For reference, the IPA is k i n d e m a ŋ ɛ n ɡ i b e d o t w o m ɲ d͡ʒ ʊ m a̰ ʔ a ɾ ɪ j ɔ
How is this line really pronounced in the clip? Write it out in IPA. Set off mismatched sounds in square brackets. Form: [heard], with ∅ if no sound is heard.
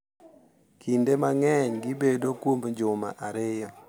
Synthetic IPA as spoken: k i n d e m a ŋ ɛ [ɲ] ɡ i b e d o [k] w o m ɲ d͡ʒ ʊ m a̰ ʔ a ɾ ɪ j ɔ